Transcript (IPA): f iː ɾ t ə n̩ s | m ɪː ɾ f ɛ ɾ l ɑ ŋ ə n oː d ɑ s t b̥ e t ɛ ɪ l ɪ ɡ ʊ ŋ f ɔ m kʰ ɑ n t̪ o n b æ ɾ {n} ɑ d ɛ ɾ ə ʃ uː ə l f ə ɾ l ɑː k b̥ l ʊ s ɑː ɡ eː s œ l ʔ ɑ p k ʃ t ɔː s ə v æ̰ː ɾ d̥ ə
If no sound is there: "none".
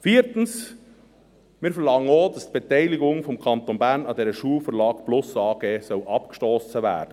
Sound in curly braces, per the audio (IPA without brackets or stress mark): n